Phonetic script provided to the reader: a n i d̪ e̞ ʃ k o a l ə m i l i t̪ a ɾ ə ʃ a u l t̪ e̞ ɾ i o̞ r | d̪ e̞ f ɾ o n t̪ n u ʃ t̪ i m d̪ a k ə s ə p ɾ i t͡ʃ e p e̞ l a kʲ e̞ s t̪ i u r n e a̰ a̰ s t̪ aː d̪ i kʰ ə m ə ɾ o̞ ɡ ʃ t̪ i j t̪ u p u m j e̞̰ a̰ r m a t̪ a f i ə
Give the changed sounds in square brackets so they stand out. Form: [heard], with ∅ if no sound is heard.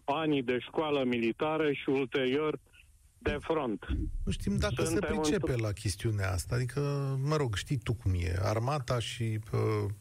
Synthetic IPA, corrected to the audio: a n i d̪ e̞ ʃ k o a l ə m i l i t̪ a ɾ ə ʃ [i] u l t̪ e̞ ɾ i o̞ r | d̪ e̞ f ɾ o n t̪ n u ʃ t̪ i m d̪ a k ə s ə p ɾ i t͡ʃ e p e̞ l a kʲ e̞ s t̪ i u [∅] n e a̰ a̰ s t̪ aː d̪ i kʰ ə m ə ɾ o̞ ɡ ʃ t̪ i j t̪ u [k] u m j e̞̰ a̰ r m a t̪ a [ʃ] i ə